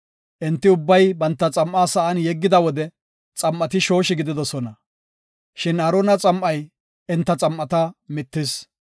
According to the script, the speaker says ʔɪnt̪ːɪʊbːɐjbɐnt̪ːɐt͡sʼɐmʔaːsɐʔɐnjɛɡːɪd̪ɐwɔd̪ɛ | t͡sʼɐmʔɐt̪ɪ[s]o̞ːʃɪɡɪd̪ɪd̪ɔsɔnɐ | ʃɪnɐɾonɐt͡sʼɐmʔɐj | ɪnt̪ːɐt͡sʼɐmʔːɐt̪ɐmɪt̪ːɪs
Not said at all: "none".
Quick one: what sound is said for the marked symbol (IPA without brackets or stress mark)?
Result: ʃ